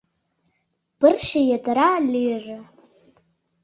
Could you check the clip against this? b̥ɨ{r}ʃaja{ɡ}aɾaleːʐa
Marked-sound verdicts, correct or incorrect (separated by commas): correct, incorrect